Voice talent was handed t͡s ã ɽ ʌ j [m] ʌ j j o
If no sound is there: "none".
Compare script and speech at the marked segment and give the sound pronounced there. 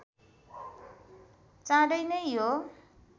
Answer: n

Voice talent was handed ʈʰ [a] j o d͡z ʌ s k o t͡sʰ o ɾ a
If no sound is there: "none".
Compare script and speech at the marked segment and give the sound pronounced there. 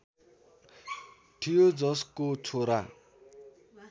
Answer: i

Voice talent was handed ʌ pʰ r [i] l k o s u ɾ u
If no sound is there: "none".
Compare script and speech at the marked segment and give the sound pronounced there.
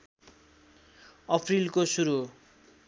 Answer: i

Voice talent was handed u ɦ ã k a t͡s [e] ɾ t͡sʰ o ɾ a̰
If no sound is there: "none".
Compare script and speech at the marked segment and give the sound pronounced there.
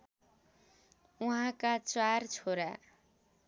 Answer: a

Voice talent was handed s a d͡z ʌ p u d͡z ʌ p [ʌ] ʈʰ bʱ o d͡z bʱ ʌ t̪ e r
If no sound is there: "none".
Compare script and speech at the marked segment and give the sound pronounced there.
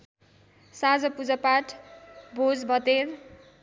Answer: a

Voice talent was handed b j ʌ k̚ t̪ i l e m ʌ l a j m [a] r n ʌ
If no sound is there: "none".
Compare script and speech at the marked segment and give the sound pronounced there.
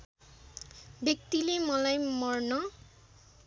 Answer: ʌ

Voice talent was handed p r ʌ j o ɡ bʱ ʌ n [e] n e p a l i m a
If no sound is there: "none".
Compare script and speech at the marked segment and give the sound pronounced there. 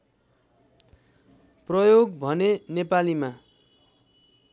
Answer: e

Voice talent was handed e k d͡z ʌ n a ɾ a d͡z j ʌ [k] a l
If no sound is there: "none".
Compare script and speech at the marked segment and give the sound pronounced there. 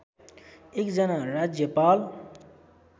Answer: p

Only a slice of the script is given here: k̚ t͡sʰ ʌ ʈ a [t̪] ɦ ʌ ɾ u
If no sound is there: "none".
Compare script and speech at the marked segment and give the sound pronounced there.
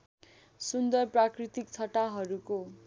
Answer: none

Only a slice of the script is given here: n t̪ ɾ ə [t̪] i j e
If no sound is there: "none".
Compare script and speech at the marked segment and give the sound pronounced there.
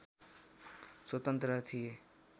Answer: t̪ʰ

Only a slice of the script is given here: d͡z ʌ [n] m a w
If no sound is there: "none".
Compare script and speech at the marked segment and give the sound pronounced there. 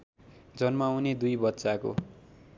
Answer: n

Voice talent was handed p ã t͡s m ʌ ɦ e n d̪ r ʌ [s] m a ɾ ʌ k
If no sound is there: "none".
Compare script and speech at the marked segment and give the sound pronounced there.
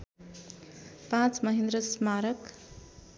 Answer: s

